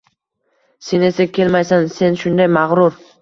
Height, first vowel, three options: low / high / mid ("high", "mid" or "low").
mid